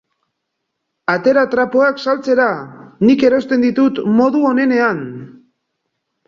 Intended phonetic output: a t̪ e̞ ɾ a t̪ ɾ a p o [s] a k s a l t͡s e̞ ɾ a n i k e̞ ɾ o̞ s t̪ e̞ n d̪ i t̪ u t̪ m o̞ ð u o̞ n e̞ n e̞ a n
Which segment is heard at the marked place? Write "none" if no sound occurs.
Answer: none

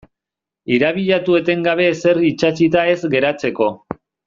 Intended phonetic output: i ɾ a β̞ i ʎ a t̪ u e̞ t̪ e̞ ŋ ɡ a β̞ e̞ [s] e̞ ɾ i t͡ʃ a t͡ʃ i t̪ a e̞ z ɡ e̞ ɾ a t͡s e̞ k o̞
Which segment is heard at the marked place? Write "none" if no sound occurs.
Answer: s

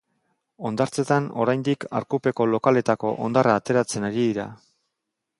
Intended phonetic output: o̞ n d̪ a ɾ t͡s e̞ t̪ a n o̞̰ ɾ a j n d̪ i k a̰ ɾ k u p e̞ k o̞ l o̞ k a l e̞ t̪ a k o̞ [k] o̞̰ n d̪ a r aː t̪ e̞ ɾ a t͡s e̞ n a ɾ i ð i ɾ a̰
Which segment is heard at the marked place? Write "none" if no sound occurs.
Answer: ʔ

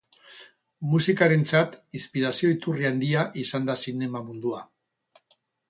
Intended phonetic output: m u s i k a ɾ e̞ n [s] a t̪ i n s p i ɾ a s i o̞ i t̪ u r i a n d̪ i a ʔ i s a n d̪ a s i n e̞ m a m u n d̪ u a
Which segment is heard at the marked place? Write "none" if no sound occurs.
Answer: t͡s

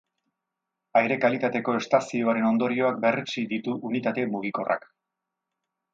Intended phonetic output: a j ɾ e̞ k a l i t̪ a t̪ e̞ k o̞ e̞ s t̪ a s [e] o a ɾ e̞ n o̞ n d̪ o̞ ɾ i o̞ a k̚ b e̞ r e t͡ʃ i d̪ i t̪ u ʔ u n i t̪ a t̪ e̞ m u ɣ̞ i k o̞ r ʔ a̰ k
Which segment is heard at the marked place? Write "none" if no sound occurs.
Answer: i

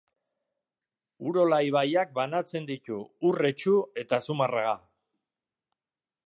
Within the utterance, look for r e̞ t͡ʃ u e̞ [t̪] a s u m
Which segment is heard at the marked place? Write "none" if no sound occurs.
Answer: t̪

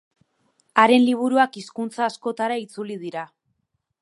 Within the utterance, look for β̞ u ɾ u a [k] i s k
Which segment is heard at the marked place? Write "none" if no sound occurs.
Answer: k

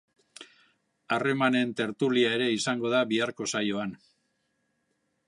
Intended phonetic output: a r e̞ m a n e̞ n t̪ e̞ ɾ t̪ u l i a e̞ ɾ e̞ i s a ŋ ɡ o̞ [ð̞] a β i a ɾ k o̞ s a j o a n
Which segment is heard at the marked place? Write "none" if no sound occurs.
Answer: ð̞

